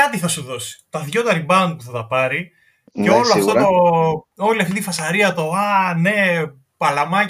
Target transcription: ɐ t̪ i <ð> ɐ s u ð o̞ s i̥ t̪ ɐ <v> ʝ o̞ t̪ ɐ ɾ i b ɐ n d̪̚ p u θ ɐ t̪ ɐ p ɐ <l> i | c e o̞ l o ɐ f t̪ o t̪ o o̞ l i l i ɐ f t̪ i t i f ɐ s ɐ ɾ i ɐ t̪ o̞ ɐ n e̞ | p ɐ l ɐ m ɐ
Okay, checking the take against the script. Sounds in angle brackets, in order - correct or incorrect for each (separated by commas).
incorrect, incorrect, incorrect